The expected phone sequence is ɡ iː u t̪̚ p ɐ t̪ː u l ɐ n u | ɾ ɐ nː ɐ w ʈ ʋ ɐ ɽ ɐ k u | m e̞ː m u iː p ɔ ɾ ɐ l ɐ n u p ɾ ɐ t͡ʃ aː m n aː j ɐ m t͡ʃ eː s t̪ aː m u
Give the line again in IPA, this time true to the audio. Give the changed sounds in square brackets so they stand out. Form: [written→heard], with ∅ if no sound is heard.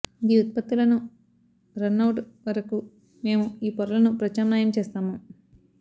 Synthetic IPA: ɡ iː u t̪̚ p ɐ t̪ː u l ɐ n u | ɾ ɐ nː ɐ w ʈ ʋ ɐ [ɽ→ɾ] ɐ k u | m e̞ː m u iː p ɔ ɾ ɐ l ɐ n u p ɾ ɐ t͡ʃ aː m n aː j ɐ m t͡ʃ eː s t̪ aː m u